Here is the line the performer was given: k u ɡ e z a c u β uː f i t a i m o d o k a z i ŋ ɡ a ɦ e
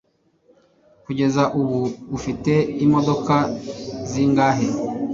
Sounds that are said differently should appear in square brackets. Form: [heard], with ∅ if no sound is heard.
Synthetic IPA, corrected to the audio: k u [ɟ] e z a [ʔ] u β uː f i t [e] i m o d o k a z i ŋ ɡ a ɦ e